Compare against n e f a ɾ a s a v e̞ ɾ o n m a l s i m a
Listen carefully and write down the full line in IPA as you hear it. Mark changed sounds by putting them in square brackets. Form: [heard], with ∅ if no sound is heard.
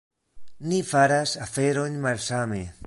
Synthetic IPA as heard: n [i] f a ɾ a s a [f] e̞ ɾ o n m a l s [a] m [e]